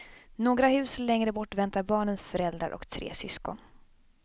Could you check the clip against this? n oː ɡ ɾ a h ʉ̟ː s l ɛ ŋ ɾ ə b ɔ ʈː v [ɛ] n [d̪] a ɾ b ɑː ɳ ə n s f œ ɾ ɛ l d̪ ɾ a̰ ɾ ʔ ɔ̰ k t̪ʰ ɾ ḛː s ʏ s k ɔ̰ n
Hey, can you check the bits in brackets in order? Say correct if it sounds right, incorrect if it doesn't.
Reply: correct, incorrect: t̪

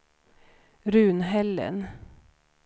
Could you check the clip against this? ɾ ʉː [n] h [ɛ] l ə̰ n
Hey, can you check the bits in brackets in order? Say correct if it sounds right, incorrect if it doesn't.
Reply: correct, correct

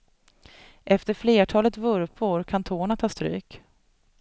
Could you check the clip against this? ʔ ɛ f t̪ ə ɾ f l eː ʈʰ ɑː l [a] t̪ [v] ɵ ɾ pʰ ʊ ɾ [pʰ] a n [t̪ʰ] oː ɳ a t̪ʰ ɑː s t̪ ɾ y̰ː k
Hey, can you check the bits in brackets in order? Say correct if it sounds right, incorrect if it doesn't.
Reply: incorrect: ə, correct, incorrect: kʰ, correct

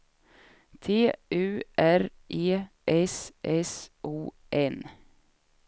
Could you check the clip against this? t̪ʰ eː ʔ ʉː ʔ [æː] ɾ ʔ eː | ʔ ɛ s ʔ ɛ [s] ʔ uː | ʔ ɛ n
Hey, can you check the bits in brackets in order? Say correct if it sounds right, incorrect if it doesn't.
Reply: incorrect: æ, correct

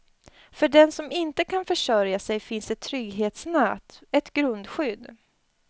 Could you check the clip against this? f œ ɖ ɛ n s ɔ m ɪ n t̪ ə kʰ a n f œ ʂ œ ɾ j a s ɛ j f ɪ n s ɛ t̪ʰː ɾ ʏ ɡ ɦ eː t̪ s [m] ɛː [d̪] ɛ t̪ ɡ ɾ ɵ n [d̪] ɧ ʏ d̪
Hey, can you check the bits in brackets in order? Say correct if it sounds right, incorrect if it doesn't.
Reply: incorrect: n, incorrect: t̪, correct

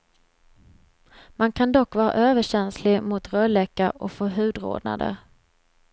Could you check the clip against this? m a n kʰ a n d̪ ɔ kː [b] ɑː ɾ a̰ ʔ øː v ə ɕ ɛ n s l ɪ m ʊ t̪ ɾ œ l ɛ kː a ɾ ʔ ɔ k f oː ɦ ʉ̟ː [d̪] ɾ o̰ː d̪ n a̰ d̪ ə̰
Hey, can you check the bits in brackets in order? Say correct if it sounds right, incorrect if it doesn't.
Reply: incorrect: v, correct

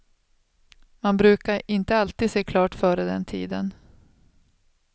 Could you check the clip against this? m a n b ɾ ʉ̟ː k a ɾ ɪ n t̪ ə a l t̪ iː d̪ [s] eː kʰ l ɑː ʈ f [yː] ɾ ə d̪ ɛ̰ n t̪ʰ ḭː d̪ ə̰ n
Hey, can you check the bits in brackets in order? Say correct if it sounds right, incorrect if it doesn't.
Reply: correct, incorrect: œː

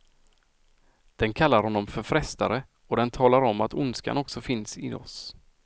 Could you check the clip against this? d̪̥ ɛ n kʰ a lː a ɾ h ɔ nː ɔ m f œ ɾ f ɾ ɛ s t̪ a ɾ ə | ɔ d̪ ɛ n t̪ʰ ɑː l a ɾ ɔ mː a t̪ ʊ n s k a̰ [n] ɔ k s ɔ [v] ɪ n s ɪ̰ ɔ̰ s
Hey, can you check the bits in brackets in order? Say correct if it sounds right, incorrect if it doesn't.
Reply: correct, incorrect: f

